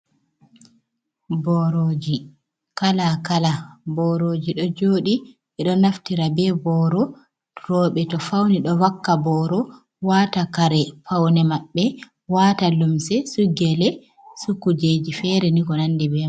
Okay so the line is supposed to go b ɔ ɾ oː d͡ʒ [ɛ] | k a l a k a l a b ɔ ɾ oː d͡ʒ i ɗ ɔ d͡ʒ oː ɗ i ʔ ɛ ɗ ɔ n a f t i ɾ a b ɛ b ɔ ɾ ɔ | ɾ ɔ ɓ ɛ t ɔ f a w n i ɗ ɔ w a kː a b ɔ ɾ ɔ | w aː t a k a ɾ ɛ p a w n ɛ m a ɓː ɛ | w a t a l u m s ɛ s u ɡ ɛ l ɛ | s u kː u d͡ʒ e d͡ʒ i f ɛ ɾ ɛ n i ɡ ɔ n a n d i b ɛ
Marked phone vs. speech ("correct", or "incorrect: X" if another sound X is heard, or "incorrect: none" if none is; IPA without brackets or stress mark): incorrect: i